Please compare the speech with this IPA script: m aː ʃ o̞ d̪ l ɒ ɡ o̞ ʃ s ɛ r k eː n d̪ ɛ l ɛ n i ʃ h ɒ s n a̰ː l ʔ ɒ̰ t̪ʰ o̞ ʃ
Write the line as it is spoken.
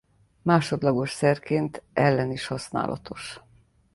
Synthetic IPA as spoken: m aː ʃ o̞ d̪ l ɒ ɡ o̞ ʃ s ɛ r k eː n t̪ ɛ lː ɛ n i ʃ h ɒ s n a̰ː l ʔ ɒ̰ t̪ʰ o̞ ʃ

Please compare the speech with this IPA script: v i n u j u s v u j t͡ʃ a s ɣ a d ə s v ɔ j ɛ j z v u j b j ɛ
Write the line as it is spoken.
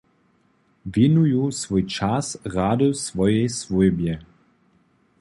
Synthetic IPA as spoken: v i n u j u s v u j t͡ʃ a s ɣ a d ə s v ɔ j ɛ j s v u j b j ɛ

